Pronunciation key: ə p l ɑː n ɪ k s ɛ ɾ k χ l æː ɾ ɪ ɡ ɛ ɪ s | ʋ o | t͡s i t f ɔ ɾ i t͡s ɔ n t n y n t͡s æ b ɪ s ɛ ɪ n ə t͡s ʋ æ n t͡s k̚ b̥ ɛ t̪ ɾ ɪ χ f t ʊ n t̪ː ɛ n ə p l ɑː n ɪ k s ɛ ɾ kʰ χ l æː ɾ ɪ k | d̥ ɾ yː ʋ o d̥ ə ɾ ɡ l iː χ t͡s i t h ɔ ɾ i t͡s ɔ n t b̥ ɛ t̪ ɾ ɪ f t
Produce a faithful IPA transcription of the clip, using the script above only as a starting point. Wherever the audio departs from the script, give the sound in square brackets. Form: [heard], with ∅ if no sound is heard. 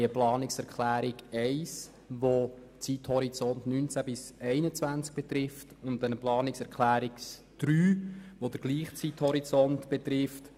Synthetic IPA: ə p l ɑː n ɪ k s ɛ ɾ k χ l æː ɾ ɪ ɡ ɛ ɪ s | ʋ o | t͡s i t [h] ɔ ɾ i t͡s ɔ n t n y n t͡s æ b ɪ s ɛ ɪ n ə t͡s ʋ æ n t͡s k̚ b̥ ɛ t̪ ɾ ɪ [∅] f t ʊ n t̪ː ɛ n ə p l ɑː n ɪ k s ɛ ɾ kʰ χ l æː ɾ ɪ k | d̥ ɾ yː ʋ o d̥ ə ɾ ɡ l iː χ t͡s i t h ɔ ɾ i t͡s ɔ n t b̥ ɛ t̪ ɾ ɪ f t